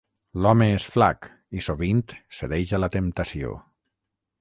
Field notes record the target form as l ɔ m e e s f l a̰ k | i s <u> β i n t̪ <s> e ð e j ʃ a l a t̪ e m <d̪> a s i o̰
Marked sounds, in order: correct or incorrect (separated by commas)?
incorrect, correct, incorrect